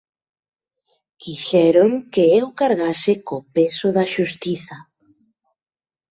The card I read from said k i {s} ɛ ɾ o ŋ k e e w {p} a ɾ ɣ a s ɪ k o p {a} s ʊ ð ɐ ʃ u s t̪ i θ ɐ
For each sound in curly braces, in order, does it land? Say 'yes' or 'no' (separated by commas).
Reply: no, no, no